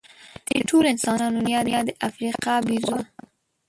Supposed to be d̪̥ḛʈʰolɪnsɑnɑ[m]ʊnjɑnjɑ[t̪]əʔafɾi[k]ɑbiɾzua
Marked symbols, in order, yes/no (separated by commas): no, no, no